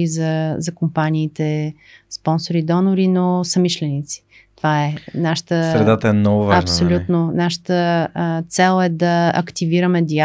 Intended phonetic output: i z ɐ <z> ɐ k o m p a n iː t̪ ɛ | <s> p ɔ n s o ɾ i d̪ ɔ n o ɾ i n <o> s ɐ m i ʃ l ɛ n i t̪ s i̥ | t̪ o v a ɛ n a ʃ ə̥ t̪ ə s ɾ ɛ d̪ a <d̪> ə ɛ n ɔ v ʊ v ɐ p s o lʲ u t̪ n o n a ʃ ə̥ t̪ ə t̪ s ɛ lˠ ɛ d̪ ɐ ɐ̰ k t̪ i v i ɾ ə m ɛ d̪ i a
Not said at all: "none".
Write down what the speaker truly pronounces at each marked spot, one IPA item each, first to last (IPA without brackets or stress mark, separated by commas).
z, s, o, t̪